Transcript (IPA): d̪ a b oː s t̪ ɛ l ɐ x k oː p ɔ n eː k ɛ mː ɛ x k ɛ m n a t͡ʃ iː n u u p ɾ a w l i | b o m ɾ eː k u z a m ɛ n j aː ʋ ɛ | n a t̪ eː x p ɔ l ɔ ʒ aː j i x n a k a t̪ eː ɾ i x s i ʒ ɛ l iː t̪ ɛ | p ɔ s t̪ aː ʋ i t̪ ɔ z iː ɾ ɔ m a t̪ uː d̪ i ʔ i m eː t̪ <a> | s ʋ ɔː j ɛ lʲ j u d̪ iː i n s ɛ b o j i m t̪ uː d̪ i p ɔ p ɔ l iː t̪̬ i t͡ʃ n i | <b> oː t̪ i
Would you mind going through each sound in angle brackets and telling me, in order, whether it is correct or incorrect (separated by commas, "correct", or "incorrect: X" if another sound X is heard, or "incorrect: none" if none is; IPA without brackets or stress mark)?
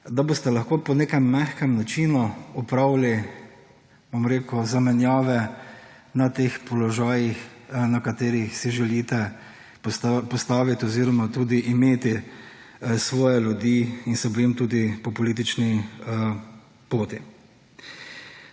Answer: incorrect: i, incorrect: p